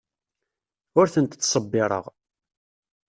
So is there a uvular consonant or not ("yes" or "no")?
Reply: yes